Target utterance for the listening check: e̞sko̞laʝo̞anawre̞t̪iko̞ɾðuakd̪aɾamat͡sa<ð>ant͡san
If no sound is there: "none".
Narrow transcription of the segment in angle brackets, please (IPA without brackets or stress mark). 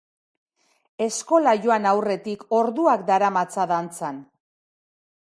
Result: ð